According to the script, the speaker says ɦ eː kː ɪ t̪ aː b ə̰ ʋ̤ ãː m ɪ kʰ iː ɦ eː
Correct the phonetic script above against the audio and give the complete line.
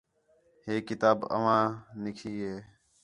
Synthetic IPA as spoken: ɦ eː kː ɪ t̪ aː b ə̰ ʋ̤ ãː n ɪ kʰ iː ɦ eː